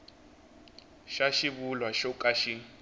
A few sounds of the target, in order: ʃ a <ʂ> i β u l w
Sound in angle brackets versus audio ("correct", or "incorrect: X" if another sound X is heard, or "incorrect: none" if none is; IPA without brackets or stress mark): incorrect: ʃ